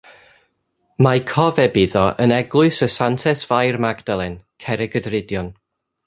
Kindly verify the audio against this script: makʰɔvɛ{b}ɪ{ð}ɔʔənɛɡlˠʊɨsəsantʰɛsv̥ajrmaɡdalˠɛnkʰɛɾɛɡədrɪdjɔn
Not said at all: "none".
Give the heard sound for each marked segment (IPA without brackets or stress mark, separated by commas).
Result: b, ð